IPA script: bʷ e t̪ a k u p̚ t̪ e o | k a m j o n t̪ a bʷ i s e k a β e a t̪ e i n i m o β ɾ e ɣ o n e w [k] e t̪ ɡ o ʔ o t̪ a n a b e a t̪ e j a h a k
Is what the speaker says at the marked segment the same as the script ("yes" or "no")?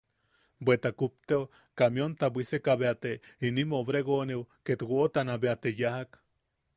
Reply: yes